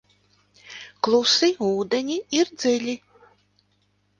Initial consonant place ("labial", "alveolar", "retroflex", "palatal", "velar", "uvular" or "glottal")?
velar